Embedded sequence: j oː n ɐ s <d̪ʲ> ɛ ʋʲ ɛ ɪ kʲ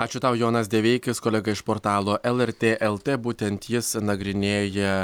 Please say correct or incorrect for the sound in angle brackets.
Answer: correct